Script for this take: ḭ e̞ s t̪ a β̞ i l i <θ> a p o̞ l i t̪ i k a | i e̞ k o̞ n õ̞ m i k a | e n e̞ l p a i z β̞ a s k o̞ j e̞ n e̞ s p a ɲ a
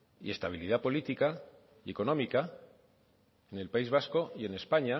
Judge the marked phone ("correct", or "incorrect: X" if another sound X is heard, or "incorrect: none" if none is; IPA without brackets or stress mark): incorrect: ð